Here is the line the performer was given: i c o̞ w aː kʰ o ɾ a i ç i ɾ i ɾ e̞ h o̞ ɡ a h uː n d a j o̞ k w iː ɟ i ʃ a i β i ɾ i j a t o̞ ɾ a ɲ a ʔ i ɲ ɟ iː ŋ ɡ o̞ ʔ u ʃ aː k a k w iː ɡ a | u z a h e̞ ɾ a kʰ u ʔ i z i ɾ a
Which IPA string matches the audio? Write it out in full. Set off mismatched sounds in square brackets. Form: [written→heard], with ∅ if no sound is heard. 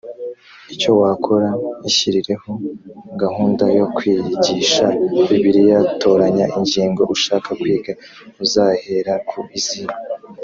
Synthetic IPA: i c o̞ w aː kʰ o ɾ a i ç i ɾ i ɾ e̞ h o̞ ɡ a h uː n d a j o̞ k w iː ɟ i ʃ a i β i ɾ i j a t o̞ ɾ a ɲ a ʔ i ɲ ɟ iː ŋ ɡ o̞ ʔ u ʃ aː k a k w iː ɡ a | u z a h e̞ ɾ a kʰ u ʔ i z i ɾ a

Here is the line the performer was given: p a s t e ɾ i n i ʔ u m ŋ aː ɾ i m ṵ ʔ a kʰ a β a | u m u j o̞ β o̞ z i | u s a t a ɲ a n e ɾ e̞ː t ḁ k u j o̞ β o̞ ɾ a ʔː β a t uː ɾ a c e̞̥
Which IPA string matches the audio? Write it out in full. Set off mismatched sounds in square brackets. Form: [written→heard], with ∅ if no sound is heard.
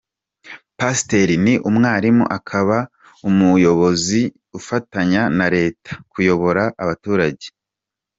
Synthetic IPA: p a s t e ɾ i n i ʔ u m ŋ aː ɾ i m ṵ ʔ a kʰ a β a | u m u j o̞ β o̞ z i | u [s→f] a t a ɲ a n [e→a] ɾ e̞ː t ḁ k u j o̞ β o̞ ɾ a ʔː β a t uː ɾ a [c→ɟ] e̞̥

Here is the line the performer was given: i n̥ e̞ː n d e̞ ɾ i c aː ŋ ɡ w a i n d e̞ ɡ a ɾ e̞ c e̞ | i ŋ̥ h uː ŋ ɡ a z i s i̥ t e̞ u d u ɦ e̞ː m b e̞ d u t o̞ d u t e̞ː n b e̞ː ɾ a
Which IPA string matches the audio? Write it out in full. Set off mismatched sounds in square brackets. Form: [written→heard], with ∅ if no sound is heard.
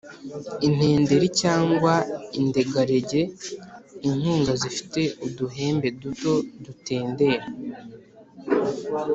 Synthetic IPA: i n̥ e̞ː n d e̞ ɾ i c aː ŋ ɡ w a i n d e̞ ɡ a ɾ e̞ [c→ɟ] e̞ | i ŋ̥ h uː ŋ ɡ a z i [s→f] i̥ t e̞ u d u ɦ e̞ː m b e̞ d u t o̞ d u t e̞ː n [b→d] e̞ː ɾ a

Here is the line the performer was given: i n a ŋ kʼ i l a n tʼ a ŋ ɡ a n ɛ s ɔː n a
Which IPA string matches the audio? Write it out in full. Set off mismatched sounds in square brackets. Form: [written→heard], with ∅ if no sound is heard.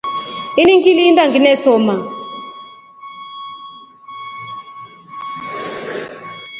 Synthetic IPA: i n [a→i] ŋ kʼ i l [a→i] n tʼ a ŋ ɡ [a→i] n ɛ s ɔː [n→m] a

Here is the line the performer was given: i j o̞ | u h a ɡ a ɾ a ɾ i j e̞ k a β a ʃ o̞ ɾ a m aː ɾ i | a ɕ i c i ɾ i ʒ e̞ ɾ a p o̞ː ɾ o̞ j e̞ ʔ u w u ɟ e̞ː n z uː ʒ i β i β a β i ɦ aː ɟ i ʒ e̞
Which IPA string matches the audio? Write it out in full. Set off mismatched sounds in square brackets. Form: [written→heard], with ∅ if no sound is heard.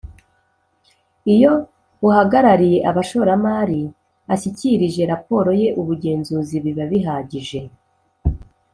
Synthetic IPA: i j o̞ | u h a ɡ a ɾ a ɾ i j e̞ [k→ʔ] a β a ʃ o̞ ɾ a m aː ɾ i | a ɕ i c i ɾ i ʒ e̞ ɾ a p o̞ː ɾ o̞ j e̞ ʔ u [w→β] u ɟ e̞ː n z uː [ʒ→z] i β i β a β i ɦ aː ɟ i ʒ e̞

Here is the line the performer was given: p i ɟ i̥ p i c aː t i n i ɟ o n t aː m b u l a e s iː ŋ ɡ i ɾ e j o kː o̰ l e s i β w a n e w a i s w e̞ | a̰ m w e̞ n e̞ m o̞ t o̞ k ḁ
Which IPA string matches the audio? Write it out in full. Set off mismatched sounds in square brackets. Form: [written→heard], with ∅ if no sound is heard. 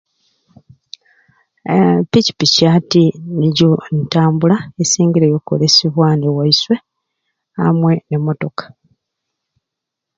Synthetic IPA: p i [ɟ→c] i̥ p i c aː t i n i ɟ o n t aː m b u l a e s iː ŋ ɡ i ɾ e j o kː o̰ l e s i β w a n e w a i s w e̞ | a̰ m w e̞ n e̞ m o̞ t o̞ k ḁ

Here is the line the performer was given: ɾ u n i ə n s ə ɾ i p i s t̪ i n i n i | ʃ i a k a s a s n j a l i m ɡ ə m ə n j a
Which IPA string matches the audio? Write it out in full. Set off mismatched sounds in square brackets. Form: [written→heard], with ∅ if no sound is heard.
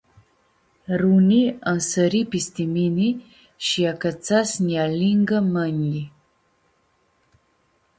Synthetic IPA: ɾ u n i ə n s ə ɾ i p i s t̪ i [n→m] i n i | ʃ i a k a [s→t͡s] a s n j a l i [m→ŋ] ɡ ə m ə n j [a→i]

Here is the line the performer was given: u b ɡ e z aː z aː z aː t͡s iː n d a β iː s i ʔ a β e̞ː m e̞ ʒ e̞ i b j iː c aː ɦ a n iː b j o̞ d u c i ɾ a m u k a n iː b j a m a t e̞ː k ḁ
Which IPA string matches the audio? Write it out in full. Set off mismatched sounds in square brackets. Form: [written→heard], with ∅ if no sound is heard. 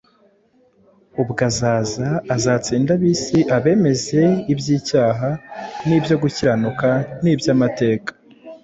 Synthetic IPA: u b ɡ [e→a] z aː z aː z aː t͡s iː n d a β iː s i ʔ a β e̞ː m e̞ [ʒ→z] e̞ i b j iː c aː ɦ a n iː b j o̞ [d→ɡ] u c i ɾ a [m→n] u k a n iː b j a m a t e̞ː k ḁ

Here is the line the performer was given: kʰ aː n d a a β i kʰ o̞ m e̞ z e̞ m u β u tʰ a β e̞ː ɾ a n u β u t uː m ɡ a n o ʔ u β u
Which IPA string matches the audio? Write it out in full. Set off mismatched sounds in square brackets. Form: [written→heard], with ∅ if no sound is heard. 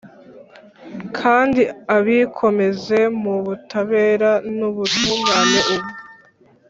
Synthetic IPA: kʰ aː n d [a→i] a β i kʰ o̞ m e̞ z e̞ m u β u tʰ a β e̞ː ɾ a n u β u t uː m ɡ a n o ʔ u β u

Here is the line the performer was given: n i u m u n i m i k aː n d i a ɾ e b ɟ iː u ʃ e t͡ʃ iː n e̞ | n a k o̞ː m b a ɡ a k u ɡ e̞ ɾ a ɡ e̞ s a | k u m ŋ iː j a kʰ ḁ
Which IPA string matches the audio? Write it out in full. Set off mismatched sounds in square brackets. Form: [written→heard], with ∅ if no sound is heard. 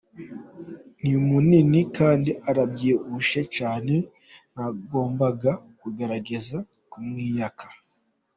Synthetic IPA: n i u m u n i [m→n] i k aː n d i a ɾ [e→a] b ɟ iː u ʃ e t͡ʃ [iː→aː] n e̞ | n a [k→ɡ] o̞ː m b a ɡ a k u ɡ e̞ ɾ a ɡ e̞ [s→z] a | k u m ŋ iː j a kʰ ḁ

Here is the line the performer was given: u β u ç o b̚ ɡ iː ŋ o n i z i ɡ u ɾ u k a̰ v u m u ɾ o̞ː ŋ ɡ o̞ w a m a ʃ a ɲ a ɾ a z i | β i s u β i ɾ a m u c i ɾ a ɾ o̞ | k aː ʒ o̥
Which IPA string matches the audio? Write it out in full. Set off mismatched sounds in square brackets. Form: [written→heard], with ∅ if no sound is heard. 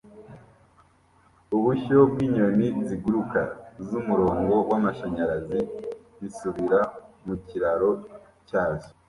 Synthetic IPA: u β u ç o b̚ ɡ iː [ŋ→ɲ] o n i z i ɡ u ɾ u k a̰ [v→z] u m u ɾ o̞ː ŋ ɡ o̞ w a m a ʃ a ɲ a ɾ a z i | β i s u β i ɾ a m u c i ɾ a ɾ o̞ | [k→c] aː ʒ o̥

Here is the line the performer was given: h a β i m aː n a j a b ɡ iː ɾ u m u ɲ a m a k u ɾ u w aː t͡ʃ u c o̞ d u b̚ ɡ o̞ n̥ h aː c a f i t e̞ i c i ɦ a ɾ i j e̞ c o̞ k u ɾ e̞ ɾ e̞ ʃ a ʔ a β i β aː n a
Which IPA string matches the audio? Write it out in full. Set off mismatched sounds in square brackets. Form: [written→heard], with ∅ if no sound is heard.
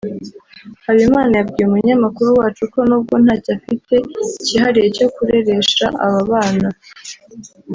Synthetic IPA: h a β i m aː n a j a b ɡ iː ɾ u m u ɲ a m a k u ɾ u w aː t͡ʃ u [c→k] o̞ [d→n] u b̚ ɡ o̞ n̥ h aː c a f i t e̞ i c i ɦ a ɾ i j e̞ c o̞ k u ɾ e̞ ɾ e̞ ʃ a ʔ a β [i→a] β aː n a

